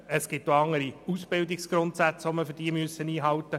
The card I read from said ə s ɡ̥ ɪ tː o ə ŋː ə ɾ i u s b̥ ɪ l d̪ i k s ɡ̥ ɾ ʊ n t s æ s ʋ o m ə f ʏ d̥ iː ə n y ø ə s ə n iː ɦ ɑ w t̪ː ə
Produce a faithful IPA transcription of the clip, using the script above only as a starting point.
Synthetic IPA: ə s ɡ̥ ɪ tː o ɑ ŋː ə ɾ i u s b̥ ɪ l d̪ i k s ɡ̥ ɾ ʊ n t s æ t͡s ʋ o m ə f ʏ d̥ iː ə m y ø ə s ə n iː ɦ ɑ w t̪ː ə